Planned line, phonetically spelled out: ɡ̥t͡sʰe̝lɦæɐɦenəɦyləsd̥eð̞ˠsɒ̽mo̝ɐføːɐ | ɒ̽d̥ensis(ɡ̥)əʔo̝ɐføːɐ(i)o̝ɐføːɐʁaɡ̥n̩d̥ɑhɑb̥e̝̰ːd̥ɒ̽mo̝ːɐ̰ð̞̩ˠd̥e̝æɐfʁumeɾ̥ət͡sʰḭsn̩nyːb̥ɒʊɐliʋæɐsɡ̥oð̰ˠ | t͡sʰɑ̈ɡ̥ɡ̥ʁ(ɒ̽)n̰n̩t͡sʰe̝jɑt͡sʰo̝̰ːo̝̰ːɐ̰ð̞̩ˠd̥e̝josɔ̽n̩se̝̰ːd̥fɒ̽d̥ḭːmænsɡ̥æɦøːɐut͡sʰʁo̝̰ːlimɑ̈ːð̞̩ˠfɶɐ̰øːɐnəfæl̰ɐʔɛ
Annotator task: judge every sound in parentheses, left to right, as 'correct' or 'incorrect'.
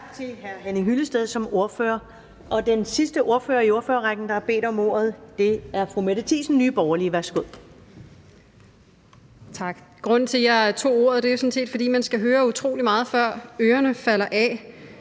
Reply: incorrect: d̥, correct, incorrect: ɔ̽

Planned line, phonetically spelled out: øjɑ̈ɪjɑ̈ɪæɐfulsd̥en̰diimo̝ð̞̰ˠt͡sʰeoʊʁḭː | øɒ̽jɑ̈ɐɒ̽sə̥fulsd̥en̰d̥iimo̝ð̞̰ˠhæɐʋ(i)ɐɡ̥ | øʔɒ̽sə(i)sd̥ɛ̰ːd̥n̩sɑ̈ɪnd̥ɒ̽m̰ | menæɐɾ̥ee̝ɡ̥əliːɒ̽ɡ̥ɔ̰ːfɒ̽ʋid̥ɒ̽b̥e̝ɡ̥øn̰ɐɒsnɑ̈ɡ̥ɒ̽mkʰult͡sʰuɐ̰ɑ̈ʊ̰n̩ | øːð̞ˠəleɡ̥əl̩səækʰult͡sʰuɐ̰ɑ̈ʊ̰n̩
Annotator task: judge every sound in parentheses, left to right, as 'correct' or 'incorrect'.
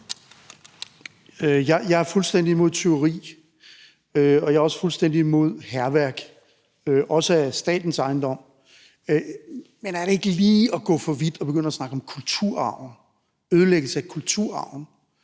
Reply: incorrect: æ, incorrect: æ

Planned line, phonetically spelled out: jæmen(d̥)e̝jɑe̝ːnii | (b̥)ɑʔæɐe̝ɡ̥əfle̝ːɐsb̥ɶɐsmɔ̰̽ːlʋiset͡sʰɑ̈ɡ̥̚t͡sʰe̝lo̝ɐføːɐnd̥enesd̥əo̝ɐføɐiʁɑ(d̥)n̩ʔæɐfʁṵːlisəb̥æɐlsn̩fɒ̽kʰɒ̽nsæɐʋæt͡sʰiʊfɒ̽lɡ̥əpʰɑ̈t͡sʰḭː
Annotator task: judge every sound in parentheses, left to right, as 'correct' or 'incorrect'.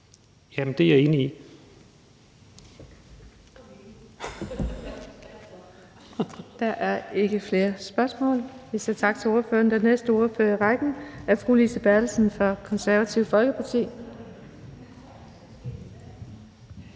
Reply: correct, incorrect: d̥, incorrect: ɡ̥

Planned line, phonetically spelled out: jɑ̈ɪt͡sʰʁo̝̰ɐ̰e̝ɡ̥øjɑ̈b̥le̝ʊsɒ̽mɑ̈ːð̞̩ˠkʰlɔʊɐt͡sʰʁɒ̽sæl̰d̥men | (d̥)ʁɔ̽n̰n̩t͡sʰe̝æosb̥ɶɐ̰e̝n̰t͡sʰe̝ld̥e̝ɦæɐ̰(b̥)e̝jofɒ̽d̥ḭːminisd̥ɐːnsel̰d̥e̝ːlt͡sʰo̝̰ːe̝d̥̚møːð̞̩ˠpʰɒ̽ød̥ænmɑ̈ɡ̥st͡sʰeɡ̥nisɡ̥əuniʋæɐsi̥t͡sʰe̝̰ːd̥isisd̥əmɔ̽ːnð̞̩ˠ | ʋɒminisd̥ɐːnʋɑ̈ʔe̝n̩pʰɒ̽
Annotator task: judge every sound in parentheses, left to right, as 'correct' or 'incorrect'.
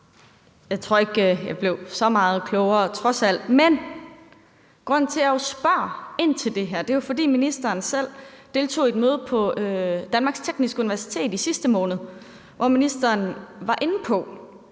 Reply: incorrect: ɡ̥, incorrect: d̥

